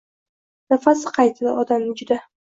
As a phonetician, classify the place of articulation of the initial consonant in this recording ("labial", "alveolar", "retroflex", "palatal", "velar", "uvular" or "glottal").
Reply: alveolar